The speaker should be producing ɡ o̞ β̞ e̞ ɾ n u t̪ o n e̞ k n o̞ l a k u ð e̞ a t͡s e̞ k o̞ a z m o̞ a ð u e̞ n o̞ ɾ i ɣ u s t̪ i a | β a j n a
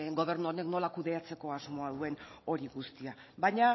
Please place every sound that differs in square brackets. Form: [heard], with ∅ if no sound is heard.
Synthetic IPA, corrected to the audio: ɡ o̞ β̞ e̞ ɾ n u [∅] o n e̞ k n o̞ l a k u ð e̞ a t͡s e̞ k o̞ a z m o̞ a ð u e̞ n o̞ ɾ i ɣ u s t̪ i a | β a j [ɲ] a

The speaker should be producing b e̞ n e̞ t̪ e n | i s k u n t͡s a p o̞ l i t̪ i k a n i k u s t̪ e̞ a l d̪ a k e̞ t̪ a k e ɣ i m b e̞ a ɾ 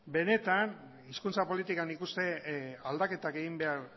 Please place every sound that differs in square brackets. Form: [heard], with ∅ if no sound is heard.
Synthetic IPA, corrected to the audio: b e̞ n e̞ t̪ [a] n | i s k u n t͡s a p o̞ l i t̪ i k a n i k u s t̪ e̞ a l d̪ a k e̞ t̪ a k e ɣ i m b e̞ a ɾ

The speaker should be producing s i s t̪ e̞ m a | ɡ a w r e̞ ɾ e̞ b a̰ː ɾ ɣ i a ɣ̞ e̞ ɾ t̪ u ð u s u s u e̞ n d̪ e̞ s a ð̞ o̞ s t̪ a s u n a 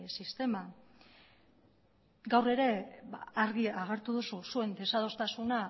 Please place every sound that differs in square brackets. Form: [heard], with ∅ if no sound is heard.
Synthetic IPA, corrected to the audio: s i s t̪ e̞ m a | ɡ a w r e̞ ɾ e̞ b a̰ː ɾ ɣ i a ɣ̞ e̞ ɾ t̪ u ð u s u s u e̞ n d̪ e̞ s a ð̞ o̞ s t̪ a s u n a

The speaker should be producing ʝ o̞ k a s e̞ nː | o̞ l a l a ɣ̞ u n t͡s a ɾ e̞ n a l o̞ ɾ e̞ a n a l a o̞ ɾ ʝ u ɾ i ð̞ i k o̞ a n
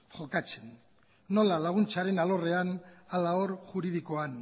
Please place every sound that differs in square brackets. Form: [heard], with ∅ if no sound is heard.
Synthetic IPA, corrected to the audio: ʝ o̞ k a [t͡s] e̞ nː | o̞ l a l a ɣ̞ u n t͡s a ɾ e̞ n a l o̞ [r] e̞ a n a l a o̞ ɾ ʝ u ɾ i ð̞ i k o̞ a n

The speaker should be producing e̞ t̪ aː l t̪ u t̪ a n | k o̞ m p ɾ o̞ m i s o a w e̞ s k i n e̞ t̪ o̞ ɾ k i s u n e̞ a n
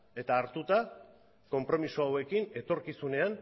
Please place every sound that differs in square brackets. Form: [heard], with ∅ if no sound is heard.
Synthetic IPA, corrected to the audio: e̞ t̪ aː [ɾ] t̪ u t̪ a [∅] | k o̞ m p ɾ o̞ m i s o a w e̞ [∅] k i n e̞ t̪ o̞ ɾ k i s u n e̞ a n

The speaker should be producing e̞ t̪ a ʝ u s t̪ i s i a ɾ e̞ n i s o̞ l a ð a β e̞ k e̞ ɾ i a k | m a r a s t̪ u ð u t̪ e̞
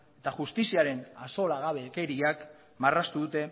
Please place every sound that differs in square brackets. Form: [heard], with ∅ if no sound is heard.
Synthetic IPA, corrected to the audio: e̞ t̪ a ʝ u s t̪ i s i a ɾ e̞ n [a] s o̞ l a [ɣ] a β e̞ k e̞ ɾ i a k | m a r a s t̪ u ð u t̪ e̞

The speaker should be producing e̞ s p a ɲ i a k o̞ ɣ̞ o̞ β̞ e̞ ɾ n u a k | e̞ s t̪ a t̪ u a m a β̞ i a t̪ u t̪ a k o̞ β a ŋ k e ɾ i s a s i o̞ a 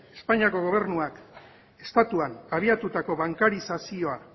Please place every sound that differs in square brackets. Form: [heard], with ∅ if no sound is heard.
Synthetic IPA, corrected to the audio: e̞ s p a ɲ i a k o̞ ɣ̞ o̞ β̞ e̞ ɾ n u a k | e̞ s t̪ a t̪ u a [n] a β̞ i a t̪ u t̪ a k o̞ β a ŋ k [a] ɾ i s a s i o̞ a

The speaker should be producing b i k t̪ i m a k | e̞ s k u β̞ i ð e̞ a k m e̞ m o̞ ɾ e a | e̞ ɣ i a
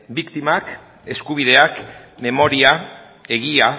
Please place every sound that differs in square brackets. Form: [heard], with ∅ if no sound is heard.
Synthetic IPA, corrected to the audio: b i k t̪ i m a k | e̞ s k u β̞ i ð e̞ a k m e̞ m o̞ ɾ [i] a | e̞ ɣ i a

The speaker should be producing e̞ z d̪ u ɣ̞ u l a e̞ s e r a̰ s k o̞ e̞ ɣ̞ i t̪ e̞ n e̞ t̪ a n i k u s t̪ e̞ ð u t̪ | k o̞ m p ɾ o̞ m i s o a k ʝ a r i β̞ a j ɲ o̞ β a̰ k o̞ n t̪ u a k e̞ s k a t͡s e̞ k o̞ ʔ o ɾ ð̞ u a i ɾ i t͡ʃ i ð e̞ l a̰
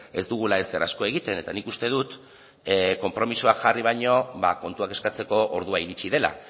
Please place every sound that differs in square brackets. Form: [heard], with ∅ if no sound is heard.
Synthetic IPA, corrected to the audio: e̞ z d̪ u ɣ̞ u l a e̞ s e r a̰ s k o̞ e̞ ɣ̞ i t̪ e̞ n e̞ t̪ a n i k u s t̪ e̞ ð u t̪ | k o̞ m p ɾ o̞ m i s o a k ʝ a r i β̞ a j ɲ o̞ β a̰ k o̞ n t̪ u a k e̞ s k a t͡s e̞ k o̞ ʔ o ɾ ð̞ u a i ɾ i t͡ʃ i ð e̞ l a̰

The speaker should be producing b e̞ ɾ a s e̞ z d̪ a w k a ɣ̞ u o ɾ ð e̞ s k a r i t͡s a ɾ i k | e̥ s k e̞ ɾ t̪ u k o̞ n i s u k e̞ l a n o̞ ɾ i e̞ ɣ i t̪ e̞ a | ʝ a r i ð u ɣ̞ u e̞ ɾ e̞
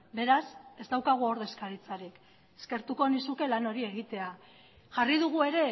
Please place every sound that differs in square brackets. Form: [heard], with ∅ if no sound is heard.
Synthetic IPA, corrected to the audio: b e̞ ɾ a s e̞ z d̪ a w k a ɣ̞ u o ɾ ð e̞ s k a [ɾ] i t͡s a ɾ i k | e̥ s k e̞ ɾ t̪ u k o̞ n i s u k e̞ l a n o̞ ɾ i e̞ ɣ i t̪ e̞ a | ʝ a r i ð u ɣ̞ u e̞ ɾ e̞

